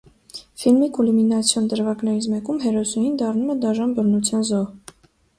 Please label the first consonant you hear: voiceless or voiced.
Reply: voiceless